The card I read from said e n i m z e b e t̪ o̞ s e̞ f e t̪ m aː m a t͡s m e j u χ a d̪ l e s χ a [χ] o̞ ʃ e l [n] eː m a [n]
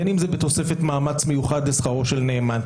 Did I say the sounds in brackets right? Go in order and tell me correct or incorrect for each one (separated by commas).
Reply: incorrect, correct, correct